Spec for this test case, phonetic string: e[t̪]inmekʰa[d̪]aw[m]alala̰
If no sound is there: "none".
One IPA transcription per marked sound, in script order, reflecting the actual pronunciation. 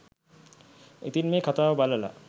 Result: t̪, t̪, b

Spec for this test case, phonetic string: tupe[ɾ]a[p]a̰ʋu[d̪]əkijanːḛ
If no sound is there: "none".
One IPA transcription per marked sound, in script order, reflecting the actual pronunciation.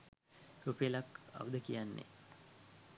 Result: l, k, d̪

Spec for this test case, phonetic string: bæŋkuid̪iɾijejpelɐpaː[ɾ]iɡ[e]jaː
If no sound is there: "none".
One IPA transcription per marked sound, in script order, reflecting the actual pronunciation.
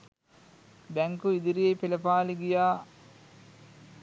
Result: l, i

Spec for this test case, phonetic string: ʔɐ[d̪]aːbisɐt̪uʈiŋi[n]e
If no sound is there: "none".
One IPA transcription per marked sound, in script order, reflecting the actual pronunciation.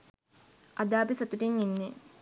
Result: d̪, nː

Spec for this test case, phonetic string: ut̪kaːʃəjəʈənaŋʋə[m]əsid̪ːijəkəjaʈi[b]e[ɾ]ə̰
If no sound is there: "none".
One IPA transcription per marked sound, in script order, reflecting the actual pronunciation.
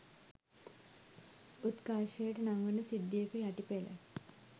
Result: n, p, l

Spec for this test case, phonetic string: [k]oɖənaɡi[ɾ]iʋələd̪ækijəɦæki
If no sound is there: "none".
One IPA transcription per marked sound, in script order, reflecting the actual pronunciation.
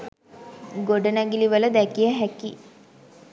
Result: ɡ, l

